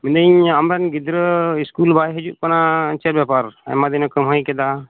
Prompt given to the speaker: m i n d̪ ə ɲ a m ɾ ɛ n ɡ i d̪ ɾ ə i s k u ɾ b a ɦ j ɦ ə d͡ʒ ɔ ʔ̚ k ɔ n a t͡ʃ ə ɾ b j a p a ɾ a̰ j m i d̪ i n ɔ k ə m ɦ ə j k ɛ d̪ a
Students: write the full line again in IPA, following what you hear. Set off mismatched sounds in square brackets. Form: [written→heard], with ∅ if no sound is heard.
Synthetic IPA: m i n d̪ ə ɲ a m ɾ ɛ n ɡ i d̪ ɾ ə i s k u [ɾ→l] b a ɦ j ɦ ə d͡ʒ [ɔ→u] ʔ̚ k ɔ n a t͡ʃ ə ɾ b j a p a ɾ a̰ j m [i→a] d̪ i n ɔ k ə m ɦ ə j k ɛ d̪ a